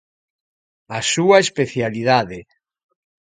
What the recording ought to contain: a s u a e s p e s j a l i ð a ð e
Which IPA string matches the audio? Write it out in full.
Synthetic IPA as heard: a s u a e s p e θ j a l i ð a ð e